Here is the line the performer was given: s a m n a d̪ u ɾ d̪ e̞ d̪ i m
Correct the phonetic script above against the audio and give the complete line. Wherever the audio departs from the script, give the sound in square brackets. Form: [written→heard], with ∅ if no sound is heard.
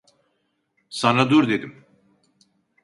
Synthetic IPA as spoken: s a [m→∅] n a d̪ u ɾ d̪ e̞ d̪ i m